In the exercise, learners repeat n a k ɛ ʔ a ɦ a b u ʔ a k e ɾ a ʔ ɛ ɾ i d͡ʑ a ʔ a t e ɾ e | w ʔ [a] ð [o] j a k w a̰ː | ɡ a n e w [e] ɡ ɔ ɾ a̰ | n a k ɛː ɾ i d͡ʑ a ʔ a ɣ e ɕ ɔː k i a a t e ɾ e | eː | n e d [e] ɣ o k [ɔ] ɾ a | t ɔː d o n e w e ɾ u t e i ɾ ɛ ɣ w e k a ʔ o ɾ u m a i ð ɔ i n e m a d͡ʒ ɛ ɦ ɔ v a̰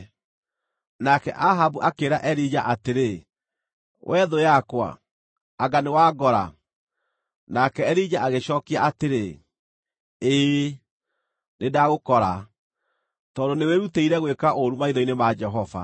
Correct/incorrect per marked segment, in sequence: incorrect: ɛ, correct, incorrect: a, incorrect: a, correct

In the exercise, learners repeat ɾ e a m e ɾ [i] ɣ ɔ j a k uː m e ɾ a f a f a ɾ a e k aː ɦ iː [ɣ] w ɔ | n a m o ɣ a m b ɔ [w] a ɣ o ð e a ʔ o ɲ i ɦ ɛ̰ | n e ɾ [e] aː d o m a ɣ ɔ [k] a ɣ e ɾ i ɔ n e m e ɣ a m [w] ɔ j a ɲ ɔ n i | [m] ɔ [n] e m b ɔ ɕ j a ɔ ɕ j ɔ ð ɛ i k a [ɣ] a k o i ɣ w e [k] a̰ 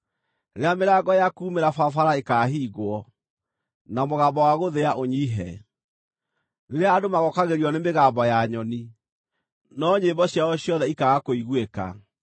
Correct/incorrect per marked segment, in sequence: incorrect: a, correct, correct, correct, correct, incorrect: b, incorrect: n, incorrect: ɲ, correct, correct

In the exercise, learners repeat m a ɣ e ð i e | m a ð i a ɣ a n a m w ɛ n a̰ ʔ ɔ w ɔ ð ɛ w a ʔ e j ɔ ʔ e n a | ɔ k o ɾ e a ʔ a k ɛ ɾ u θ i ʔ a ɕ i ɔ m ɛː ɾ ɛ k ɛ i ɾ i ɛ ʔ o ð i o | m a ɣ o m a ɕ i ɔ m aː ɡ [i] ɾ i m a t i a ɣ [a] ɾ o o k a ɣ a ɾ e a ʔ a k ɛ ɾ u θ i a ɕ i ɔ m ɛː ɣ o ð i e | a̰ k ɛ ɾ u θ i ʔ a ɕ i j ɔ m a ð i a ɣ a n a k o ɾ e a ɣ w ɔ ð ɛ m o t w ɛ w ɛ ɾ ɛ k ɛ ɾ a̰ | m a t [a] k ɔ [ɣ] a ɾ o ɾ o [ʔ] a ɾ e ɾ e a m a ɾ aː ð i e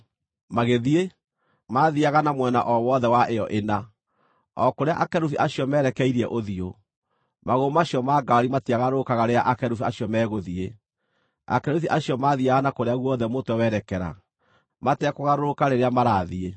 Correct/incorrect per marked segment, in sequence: incorrect: a, correct, incorrect: ɛ, correct, incorrect: k

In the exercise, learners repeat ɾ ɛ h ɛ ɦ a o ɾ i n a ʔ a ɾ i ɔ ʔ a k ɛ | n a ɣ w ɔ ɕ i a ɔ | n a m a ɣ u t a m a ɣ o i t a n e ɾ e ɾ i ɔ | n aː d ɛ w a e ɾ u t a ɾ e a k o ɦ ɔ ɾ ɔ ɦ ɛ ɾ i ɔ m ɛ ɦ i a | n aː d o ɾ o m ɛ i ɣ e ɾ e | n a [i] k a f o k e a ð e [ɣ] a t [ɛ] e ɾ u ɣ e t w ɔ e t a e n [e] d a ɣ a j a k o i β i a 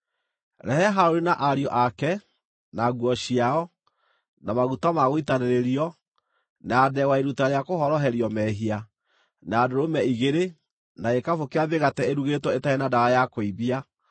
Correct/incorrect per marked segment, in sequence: incorrect: e, correct, correct, incorrect: a

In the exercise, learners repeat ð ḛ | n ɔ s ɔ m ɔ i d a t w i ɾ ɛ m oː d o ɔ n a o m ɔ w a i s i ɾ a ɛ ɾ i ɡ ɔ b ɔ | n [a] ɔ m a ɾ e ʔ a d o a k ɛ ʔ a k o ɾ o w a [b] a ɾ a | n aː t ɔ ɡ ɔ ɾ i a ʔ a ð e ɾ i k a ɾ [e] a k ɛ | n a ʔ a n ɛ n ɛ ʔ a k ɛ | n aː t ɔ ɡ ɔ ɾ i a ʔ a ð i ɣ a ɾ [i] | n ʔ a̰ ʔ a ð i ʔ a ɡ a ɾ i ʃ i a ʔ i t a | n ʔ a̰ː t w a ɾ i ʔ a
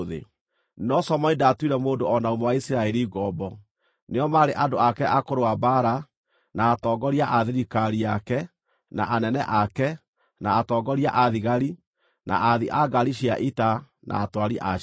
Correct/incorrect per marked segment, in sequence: incorrect: e, correct, incorrect: i, correct

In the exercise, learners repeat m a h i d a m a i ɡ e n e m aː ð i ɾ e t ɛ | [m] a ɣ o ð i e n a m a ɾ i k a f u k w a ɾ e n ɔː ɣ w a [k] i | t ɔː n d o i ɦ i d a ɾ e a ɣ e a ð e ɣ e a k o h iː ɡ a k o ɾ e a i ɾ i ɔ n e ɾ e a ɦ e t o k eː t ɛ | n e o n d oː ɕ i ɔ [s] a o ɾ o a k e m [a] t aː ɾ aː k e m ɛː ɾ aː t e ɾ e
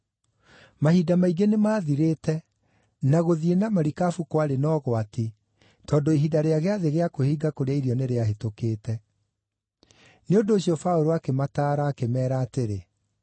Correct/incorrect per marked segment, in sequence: incorrect: n, incorrect: t, incorrect: f, correct

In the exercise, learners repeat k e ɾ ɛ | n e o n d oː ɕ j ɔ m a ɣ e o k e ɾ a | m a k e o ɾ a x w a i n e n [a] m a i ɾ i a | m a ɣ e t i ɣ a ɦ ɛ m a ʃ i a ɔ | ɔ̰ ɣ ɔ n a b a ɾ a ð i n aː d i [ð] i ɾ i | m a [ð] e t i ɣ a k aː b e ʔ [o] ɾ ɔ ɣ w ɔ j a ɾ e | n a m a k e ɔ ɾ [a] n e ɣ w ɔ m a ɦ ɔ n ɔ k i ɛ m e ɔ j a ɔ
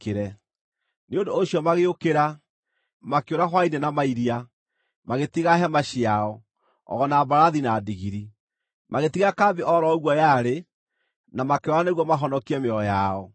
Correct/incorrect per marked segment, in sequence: correct, incorrect: ɣ, incorrect: ɣ, incorrect: ɔ, correct

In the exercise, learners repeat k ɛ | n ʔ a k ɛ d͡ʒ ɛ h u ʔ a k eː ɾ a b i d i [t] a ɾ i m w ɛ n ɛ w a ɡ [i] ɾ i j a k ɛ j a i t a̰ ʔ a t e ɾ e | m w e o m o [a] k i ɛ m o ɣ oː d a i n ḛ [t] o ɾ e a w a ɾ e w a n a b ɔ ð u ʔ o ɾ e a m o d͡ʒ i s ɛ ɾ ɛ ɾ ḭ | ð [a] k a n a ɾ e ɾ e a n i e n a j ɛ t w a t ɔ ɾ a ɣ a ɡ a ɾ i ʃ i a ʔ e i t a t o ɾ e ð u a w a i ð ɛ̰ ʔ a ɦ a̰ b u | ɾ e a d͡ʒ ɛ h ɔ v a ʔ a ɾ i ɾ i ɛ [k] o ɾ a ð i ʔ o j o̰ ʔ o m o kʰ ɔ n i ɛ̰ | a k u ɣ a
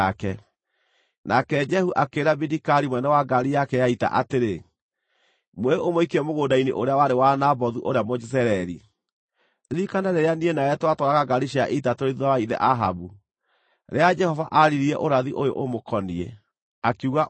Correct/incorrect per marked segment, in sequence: incorrect: k, incorrect: a, incorrect: i, incorrect: ʔ, incorrect: i, incorrect: ʔ

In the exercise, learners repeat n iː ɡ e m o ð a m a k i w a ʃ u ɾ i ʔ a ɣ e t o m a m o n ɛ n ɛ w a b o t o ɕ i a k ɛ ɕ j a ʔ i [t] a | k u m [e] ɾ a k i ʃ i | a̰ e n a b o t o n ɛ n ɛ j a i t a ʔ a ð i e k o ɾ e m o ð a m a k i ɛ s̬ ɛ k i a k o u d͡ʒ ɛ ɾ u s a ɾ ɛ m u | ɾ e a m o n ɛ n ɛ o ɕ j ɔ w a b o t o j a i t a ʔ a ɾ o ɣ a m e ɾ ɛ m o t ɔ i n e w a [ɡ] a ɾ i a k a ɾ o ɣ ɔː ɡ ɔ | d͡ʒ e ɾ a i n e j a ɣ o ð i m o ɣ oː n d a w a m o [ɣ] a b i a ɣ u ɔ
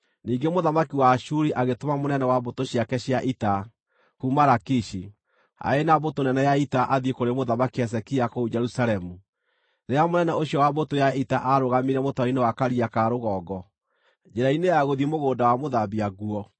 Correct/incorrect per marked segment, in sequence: correct, incorrect: a, incorrect: k, incorrect: ð

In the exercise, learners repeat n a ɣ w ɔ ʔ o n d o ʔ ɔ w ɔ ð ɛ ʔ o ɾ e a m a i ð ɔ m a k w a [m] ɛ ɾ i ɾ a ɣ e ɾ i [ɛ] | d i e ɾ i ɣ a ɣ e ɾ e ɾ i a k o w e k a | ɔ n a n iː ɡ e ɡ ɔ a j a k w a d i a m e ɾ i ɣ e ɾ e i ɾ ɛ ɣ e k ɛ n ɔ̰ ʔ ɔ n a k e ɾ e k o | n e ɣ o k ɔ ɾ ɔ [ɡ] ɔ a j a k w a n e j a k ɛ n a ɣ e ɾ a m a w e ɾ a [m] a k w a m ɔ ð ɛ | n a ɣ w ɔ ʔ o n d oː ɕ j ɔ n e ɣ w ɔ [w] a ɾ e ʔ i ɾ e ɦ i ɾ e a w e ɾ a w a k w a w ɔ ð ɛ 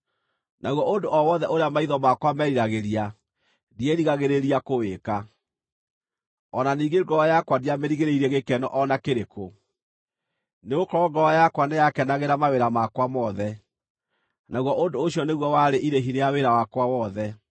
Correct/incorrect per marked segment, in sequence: correct, incorrect: a, correct, correct, correct

